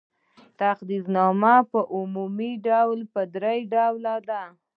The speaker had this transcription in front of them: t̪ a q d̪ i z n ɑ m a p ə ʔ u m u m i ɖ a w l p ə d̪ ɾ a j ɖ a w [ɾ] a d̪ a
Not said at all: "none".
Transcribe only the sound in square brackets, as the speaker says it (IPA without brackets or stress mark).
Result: l